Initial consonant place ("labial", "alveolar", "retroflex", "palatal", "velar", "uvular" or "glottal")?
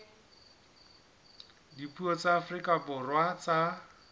alveolar